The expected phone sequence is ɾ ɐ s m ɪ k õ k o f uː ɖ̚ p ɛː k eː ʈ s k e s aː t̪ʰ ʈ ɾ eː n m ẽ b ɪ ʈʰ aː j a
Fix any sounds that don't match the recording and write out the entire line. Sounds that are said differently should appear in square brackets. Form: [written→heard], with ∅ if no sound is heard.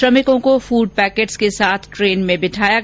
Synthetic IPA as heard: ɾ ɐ [s→∅] m ɪ k õ k o f uː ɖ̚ p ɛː k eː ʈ s k e s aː t̪ʰ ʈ ɾ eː n m ẽ b ɪ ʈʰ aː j a